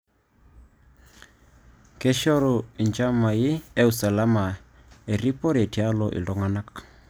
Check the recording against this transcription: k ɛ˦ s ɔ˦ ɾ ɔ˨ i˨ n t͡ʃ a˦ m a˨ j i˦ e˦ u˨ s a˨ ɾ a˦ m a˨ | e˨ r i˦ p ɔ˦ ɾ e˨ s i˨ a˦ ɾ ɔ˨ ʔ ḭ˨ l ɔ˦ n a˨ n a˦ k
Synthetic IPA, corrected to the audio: k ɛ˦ ʃ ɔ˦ ɾ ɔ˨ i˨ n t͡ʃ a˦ m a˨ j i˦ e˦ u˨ s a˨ l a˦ m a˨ | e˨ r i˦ p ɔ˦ ɾ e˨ t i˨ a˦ l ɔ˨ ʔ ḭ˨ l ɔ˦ ŋ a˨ n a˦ k